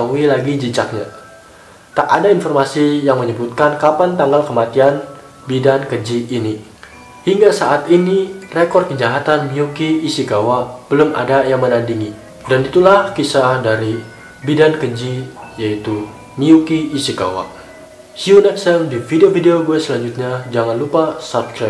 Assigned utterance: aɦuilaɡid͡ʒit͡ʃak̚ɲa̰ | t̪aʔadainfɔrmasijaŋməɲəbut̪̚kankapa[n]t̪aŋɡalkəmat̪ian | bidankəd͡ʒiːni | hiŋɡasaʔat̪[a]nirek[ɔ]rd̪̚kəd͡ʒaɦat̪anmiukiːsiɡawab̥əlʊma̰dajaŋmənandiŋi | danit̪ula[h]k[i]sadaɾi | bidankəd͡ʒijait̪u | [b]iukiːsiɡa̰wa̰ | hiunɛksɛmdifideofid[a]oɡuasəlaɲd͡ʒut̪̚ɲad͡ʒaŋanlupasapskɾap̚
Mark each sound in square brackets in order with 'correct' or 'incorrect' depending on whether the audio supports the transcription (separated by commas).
correct, incorrect, correct, correct, correct, incorrect, incorrect